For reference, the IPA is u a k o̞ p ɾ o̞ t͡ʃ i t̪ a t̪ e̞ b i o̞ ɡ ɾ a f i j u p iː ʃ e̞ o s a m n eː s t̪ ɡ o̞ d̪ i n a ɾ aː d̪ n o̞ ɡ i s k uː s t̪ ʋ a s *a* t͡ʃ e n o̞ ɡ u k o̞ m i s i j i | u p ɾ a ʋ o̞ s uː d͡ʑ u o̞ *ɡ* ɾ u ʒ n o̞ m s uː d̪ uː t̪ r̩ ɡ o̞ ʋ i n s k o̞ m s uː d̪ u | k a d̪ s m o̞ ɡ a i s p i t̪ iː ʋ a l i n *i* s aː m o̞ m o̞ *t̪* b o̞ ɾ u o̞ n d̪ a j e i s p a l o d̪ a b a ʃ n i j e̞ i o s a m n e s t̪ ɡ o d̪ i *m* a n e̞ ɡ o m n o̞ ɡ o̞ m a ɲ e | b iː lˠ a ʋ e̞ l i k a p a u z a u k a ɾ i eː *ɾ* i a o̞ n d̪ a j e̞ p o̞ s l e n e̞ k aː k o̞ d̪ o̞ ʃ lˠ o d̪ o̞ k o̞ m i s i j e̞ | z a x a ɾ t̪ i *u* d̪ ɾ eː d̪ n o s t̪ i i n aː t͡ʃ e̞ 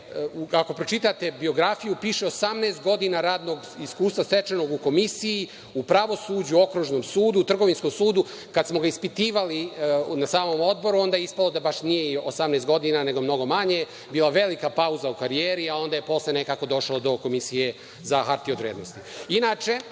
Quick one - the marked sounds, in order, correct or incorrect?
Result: incorrect: e, incorrect: k, incorrect: a, incorrect: d̪, incorrect: n, correct, incorrect: o

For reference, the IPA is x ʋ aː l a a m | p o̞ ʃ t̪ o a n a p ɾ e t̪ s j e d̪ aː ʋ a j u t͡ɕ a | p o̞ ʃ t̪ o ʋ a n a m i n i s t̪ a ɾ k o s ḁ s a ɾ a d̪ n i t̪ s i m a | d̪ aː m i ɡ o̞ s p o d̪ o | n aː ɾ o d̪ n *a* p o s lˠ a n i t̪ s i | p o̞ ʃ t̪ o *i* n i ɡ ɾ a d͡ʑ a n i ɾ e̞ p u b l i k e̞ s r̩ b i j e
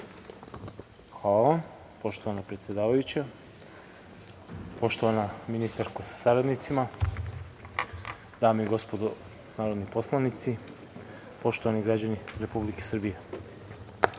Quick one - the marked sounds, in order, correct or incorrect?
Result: incorrect: i, incorrect: a

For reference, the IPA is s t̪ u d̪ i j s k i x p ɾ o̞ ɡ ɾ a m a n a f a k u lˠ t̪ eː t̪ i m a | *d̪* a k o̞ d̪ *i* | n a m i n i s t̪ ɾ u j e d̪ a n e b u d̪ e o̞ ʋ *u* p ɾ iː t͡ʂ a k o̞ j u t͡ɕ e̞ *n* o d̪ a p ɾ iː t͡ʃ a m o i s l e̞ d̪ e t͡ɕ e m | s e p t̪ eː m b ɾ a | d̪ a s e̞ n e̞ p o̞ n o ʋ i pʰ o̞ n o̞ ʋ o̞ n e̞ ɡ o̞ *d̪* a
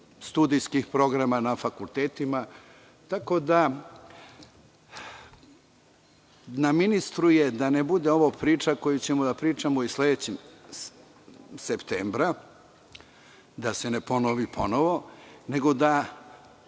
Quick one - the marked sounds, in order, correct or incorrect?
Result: incorrect: t̪, incorrect: a, incorrect: o, incorrect: m, correct

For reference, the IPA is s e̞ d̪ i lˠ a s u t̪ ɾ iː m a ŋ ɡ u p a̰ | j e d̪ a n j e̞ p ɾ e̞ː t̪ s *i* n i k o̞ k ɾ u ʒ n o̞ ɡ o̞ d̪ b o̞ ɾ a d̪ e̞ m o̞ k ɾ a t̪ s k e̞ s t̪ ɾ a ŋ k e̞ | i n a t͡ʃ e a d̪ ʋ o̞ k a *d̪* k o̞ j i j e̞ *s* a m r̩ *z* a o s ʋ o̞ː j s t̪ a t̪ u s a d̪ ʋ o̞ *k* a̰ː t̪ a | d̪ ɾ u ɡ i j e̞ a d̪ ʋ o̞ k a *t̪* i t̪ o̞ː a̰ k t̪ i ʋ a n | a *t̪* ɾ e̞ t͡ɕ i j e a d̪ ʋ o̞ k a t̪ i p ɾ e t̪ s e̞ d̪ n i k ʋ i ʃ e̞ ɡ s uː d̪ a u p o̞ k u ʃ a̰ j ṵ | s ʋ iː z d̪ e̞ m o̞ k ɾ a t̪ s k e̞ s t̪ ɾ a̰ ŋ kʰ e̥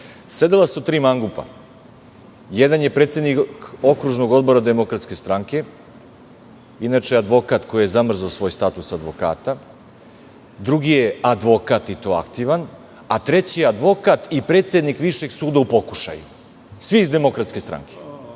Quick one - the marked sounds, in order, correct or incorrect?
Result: incorrect: e, incorrect: t̪, incorrect: z, correct, correct, correct, correct

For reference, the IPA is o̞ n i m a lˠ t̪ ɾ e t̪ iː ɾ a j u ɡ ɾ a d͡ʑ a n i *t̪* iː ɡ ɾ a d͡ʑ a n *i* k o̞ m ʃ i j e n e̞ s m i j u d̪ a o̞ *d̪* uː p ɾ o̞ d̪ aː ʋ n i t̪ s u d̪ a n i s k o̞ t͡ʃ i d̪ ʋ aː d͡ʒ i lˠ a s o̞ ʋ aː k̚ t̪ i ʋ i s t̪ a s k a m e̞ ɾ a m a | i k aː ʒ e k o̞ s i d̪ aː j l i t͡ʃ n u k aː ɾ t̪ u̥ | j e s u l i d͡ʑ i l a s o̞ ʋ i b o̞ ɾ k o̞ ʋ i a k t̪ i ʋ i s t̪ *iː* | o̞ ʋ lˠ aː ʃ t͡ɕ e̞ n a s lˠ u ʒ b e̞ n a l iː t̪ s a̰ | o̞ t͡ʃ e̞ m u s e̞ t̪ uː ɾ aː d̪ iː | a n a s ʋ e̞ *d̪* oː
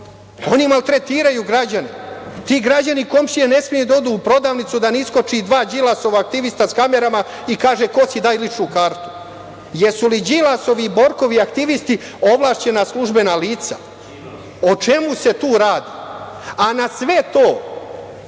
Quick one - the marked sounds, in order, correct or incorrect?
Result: correct, correct, correct, incorrect: i, incorrect: t̪

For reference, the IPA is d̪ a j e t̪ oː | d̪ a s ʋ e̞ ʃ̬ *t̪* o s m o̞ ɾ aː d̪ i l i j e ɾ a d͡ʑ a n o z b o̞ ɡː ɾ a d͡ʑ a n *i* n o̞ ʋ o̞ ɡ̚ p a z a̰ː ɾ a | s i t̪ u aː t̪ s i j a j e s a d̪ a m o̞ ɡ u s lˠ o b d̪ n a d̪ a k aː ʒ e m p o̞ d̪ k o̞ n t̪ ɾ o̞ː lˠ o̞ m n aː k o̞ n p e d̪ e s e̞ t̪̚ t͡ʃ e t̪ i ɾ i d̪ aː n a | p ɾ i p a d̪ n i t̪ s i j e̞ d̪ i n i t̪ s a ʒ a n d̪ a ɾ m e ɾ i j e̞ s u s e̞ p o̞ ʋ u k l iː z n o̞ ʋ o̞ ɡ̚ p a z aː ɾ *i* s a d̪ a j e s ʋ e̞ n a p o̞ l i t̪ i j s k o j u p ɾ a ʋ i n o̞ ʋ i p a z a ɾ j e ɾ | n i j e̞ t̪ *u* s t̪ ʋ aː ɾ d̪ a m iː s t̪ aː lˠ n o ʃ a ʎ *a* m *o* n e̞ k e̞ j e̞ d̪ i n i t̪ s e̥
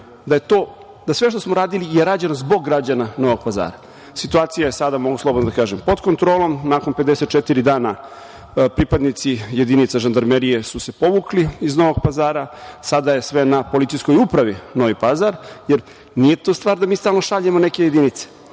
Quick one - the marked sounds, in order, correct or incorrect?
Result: correct, incorrect: a, incorrect: a, incorrect: o, incorrect: e, correct

